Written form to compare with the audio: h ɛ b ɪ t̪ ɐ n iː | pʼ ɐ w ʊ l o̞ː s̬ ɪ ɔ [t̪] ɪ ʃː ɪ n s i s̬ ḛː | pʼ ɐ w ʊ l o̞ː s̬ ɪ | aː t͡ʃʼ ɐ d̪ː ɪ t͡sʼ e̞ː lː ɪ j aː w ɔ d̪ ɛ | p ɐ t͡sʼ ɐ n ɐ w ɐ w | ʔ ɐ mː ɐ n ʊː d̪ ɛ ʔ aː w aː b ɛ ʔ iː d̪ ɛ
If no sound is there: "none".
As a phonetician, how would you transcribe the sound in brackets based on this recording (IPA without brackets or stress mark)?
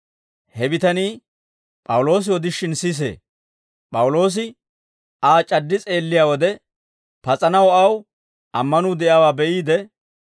d̪